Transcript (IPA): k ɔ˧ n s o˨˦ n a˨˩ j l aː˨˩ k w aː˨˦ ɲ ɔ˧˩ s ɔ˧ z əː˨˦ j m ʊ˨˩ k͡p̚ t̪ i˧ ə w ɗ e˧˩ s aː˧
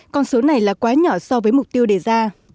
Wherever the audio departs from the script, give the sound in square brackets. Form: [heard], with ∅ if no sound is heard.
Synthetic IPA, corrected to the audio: k ɔ˧ n s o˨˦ n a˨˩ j l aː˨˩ k w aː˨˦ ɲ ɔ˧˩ s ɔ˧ [v] əː˨˦ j m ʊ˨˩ k͡p̚ t̪ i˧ ə w ɗ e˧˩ [z] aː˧

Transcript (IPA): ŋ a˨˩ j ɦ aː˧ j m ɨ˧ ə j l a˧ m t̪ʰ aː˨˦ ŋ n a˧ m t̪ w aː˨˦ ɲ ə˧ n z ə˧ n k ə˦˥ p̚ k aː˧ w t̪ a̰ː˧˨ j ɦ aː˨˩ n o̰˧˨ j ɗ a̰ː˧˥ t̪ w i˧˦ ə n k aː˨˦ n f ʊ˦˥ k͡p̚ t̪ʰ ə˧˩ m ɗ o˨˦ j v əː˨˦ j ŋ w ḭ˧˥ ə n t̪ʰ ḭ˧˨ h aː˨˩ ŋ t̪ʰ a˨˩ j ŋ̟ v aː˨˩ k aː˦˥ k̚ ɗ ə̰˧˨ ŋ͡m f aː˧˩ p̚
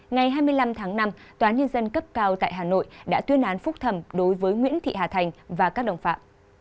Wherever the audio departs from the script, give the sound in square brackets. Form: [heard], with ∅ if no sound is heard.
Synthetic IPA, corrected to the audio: ŋ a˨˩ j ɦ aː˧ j m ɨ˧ ə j l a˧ m t̪ʰ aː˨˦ ŋ n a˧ m t̪ w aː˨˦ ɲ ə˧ n z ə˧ n k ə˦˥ p̚ k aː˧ w t̪ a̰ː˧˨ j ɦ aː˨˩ n o̰˧˨ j ɗ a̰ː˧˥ t̪ w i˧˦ ə n [ʔ] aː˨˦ n f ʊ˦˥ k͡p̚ t̪ʰ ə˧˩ m ɗ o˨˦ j v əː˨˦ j ŋ w ḭ˧˥ ə n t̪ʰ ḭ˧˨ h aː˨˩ [∅] t̪ʰ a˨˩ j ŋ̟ v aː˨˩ k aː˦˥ k̚ ɗ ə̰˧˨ ŋ͡m f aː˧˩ p̚

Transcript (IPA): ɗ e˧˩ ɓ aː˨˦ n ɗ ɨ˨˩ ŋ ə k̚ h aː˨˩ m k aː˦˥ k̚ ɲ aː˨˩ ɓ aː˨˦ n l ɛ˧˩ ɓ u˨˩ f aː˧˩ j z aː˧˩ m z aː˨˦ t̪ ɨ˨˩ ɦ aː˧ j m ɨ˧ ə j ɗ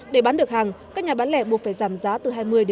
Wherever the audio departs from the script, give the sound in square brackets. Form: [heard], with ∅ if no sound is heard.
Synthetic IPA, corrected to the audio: ɗ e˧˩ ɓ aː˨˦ n ɗ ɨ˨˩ [∅] ə k̚ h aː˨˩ [ŋ] k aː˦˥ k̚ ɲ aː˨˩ ɓ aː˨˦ n l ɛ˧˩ ɓ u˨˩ f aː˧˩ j z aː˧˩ m z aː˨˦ t̪ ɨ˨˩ ɦ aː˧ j m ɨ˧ ə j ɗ

